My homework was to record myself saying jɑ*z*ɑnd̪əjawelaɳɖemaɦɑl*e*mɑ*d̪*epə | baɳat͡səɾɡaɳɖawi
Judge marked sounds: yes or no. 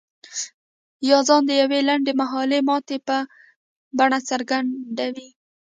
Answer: yes, yes, no

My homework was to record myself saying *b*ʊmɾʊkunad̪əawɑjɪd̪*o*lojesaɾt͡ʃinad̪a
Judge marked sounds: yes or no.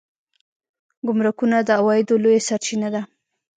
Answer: no, yes

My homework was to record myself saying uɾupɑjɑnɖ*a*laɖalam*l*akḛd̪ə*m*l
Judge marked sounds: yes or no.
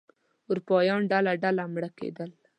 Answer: yes, no, no

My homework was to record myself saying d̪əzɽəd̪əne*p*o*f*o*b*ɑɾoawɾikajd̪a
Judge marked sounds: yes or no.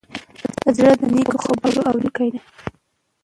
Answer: no, no, yes

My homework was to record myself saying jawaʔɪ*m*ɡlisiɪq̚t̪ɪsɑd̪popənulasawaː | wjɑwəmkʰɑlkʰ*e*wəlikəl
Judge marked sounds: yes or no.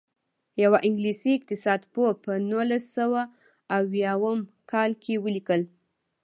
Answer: no, yes

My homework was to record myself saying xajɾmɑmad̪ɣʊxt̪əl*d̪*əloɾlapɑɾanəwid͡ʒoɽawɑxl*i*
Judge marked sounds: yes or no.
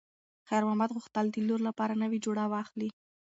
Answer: yes, yes

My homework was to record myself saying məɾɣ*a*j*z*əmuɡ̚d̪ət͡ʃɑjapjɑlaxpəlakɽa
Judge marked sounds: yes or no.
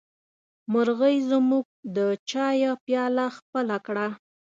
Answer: no, yes

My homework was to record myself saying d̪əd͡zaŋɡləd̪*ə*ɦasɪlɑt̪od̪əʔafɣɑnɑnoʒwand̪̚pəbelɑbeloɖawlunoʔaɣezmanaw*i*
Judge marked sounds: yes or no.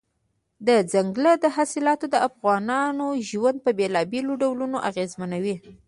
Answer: yes, yes

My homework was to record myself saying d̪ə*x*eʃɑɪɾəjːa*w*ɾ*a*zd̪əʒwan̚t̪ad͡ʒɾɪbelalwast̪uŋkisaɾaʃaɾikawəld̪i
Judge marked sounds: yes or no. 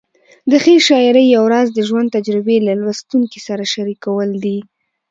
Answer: yes, yes, no

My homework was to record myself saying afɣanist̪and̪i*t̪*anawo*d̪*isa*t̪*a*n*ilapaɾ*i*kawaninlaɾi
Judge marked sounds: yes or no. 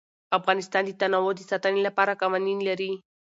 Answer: yes, yes, yes, yes, no

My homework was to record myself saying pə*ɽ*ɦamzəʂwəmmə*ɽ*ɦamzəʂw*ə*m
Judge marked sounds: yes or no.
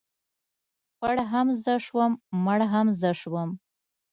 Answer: yes, yes, yes

